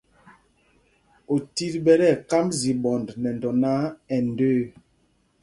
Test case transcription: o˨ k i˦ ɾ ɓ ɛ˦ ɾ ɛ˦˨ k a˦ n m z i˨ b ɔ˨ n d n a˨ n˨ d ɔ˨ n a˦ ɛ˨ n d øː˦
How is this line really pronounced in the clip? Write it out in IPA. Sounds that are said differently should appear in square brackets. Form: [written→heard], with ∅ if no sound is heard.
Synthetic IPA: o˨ [k→t] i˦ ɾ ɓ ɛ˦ ɾ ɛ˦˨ k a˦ [n→∅] m z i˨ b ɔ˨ n d n [a˨→ɛ˨] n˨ d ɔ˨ n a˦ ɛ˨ n d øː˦